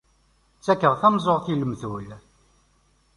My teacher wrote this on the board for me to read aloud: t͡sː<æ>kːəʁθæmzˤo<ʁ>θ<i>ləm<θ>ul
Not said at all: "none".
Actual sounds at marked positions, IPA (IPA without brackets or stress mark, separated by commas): æ, ʁ, i, θ